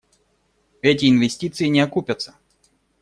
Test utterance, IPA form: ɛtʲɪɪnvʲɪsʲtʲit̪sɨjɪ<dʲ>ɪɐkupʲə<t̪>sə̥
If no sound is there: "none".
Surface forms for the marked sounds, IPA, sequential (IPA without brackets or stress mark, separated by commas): nʲ, t̪